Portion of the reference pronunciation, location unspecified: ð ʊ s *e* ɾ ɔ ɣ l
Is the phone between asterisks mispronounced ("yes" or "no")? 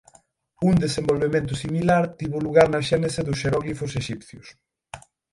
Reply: no